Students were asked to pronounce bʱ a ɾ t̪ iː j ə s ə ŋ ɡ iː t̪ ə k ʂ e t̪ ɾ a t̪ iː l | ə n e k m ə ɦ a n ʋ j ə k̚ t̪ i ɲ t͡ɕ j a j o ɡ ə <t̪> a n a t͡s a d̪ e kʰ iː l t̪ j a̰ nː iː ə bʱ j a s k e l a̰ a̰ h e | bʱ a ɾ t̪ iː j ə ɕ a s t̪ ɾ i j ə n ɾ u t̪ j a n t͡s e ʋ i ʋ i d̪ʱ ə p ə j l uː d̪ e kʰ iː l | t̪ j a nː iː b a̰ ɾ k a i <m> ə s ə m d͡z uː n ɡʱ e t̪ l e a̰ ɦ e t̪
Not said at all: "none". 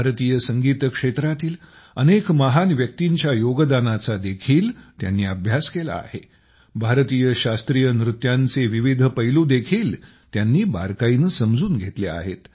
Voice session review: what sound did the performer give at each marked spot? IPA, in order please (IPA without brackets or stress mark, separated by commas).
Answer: d̪, n